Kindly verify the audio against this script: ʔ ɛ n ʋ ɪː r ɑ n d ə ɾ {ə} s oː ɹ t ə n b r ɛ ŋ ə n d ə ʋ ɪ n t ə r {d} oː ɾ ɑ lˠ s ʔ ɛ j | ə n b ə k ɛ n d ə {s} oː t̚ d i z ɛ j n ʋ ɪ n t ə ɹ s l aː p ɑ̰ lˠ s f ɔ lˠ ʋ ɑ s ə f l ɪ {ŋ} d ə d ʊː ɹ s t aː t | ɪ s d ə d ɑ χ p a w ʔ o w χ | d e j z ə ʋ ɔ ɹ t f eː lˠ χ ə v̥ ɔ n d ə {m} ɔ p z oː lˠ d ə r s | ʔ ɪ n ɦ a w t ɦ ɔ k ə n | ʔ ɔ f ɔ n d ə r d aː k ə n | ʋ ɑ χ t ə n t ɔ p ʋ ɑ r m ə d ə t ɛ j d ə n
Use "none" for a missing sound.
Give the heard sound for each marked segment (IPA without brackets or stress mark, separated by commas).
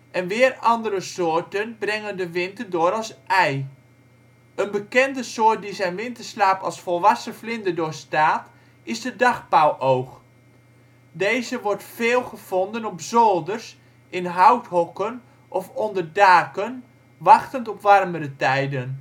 ə, d, s, n, n